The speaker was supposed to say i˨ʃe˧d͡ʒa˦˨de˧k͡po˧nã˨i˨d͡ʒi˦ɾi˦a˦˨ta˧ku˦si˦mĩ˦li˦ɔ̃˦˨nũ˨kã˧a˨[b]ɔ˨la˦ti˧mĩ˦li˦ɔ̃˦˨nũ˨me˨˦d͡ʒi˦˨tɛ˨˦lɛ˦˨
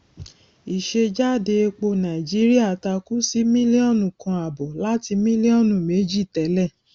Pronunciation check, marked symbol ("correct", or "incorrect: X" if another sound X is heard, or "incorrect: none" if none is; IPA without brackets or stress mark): correct